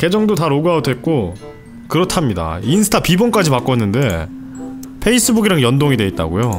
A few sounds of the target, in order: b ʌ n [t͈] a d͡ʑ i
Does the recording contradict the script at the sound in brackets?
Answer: yes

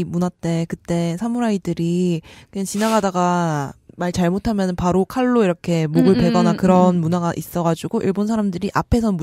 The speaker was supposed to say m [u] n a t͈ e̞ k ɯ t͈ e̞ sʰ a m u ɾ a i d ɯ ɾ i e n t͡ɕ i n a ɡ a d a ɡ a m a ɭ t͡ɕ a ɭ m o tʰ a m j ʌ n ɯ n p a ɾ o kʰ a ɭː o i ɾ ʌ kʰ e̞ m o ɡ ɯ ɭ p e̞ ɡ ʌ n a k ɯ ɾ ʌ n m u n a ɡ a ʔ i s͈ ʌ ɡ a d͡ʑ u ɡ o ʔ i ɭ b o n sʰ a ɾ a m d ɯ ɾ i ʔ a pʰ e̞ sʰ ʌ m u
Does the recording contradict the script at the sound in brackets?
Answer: no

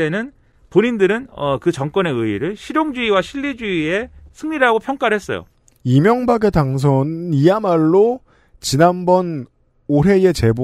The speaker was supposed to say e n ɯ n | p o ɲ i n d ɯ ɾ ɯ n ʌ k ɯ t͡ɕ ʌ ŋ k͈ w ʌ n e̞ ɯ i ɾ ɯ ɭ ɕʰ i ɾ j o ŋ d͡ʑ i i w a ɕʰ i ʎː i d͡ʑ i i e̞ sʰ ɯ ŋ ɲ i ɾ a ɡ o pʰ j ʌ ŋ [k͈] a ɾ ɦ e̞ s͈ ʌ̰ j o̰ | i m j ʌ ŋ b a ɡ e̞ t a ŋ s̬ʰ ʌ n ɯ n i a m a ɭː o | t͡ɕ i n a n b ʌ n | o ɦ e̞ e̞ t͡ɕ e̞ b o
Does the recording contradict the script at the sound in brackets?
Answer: no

